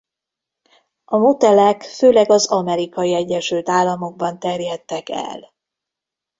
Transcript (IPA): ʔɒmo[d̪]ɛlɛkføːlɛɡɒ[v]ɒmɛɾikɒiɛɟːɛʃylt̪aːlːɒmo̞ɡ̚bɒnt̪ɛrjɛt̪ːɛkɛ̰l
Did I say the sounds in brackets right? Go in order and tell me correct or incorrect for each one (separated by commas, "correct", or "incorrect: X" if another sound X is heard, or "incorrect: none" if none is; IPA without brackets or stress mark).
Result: incorrect: t̪, incorrect: z